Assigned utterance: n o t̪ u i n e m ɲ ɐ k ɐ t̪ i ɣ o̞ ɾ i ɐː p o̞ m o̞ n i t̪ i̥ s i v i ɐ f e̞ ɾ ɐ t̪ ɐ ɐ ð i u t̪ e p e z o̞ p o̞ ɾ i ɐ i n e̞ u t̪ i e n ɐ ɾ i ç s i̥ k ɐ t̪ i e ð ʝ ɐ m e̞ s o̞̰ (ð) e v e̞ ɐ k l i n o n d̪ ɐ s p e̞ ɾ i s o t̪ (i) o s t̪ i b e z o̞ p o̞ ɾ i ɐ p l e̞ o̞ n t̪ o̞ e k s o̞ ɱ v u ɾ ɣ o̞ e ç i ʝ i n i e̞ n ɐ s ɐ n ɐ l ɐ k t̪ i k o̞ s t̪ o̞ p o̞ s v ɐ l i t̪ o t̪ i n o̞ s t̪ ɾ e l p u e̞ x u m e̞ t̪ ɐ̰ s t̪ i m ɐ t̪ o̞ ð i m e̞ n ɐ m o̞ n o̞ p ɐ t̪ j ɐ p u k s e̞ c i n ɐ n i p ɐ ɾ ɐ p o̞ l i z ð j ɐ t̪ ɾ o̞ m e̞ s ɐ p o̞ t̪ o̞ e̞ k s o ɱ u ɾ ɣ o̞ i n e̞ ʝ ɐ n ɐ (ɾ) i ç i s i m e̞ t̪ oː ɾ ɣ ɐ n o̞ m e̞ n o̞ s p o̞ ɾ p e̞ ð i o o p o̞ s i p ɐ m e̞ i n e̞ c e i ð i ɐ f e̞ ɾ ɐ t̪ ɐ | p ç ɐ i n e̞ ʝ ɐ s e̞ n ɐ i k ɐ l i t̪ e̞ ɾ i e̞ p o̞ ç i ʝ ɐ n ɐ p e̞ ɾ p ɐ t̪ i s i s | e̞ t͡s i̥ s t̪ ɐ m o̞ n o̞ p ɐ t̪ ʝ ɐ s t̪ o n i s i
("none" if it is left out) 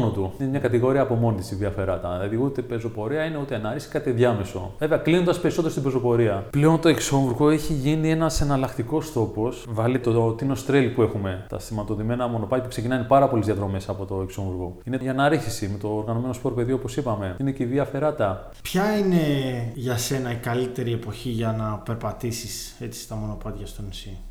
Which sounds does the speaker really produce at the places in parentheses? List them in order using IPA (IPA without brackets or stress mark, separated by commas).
v, e, ɾ